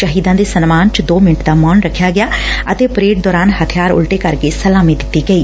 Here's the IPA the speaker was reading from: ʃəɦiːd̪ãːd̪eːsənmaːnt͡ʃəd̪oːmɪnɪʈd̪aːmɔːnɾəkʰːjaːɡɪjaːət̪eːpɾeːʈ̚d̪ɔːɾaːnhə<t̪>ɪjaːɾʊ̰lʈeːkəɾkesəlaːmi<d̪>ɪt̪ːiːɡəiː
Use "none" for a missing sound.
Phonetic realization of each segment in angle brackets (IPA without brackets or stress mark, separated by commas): t̪ʰ, d̪